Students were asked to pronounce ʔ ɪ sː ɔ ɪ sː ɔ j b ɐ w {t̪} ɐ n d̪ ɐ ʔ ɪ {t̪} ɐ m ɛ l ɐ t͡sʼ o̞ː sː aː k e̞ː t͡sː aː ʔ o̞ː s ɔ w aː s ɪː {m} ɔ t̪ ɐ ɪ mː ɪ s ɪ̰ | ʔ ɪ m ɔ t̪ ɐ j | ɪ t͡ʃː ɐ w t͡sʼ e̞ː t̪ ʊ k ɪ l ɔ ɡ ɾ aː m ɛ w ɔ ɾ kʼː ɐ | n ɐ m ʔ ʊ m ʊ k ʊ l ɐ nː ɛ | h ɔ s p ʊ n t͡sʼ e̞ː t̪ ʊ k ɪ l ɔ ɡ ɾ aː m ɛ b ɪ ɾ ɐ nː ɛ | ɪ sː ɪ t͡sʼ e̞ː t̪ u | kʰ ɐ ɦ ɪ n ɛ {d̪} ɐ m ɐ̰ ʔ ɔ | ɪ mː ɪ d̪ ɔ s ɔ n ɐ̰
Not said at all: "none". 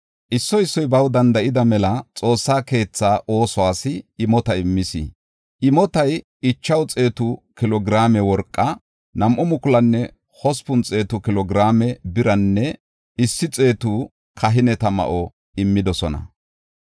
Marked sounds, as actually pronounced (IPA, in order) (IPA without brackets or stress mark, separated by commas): d̪, d̪, m, t̪